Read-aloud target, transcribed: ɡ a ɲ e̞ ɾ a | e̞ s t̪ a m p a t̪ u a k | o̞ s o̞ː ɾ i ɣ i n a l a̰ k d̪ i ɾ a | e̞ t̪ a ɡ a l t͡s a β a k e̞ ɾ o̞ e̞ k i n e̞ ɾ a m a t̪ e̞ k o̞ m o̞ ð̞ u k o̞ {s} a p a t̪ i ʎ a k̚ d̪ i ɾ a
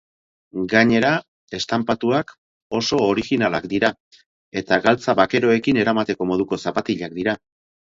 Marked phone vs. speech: correct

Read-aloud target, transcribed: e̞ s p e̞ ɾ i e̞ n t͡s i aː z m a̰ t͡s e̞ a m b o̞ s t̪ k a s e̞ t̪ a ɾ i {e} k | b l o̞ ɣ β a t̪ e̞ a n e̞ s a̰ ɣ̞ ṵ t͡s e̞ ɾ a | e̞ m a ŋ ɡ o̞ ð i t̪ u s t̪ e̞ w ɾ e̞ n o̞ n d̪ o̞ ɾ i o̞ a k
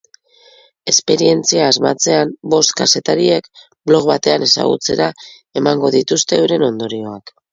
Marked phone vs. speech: correct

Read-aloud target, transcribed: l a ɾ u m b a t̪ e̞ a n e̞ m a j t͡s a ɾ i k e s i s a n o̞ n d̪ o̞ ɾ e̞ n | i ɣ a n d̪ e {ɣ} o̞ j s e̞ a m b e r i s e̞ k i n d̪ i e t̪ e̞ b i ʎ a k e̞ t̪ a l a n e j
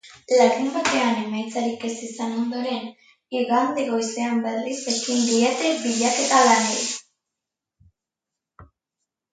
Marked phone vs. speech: correct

